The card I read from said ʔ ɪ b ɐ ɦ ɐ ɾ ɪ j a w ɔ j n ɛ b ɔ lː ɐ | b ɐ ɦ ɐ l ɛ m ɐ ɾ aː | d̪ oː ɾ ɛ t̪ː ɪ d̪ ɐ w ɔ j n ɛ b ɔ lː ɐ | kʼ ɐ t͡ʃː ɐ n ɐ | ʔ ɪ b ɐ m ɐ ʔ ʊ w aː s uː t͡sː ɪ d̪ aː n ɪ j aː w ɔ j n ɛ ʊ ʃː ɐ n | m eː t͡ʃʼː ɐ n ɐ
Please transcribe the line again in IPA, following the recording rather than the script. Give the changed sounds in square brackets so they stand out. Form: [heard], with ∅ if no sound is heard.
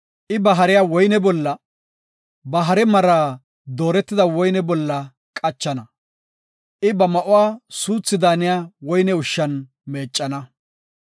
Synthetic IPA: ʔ ɪ b ɐ ɦ ɐ ɾ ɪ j a w ɔ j n ɛ b ɔ lː ɐ | b ɐ ɦ ɐ [ɾ] ɛ m ɐ ɾ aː | d̪ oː ɾ ɛ t̪ː ɪ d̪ ɐ w ɔ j n ɛ b ɔ lː ɐ | kʼ ɐ t͡ʃː ɐ n ɐ | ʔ ɪ b ɐ m ɐ ʔ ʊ w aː s uː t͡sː ɪ d̪ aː n ɪ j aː w ɔ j n ɛ ʊ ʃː ɐ n | m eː t͡ʃʼː ɐ n ɐ